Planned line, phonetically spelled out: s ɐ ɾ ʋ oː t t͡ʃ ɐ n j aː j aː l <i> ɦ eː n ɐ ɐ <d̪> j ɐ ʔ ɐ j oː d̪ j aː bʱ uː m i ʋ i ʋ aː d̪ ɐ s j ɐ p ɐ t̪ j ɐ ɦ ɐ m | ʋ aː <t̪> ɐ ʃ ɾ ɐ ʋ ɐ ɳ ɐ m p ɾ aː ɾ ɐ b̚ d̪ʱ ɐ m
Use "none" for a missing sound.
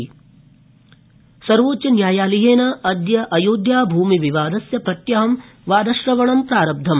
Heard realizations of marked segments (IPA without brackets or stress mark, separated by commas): i, d̪, d̪